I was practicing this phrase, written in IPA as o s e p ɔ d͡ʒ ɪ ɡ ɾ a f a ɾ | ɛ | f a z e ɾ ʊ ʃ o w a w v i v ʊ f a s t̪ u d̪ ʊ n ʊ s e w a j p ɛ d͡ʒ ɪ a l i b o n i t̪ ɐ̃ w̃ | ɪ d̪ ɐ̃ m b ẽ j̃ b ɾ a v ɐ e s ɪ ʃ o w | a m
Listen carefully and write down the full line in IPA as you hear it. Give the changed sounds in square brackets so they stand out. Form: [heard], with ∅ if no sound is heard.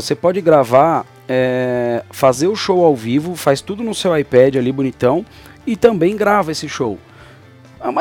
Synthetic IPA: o s e p ɔ d͡ʒ ɪ ɡ ɾ a [v] a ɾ | ɛ | f a z e ɾ ʊ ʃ o w a w v i v ʊ f a s t̪ u d̪ ʊ n ʊ s e w a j p ɛ d͡ʒ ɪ a l i b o n i t̪ ɐ̃ w̃ | ɪ [t̪] ɐ̃ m b ẽ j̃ [ɡ] ɾ a v ɐ e s ɪ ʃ o w | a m